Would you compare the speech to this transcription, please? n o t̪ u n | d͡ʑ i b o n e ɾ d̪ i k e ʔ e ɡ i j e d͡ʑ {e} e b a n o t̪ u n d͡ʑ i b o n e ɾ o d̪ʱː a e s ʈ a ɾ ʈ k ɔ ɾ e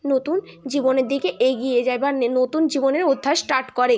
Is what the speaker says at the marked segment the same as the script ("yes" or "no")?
no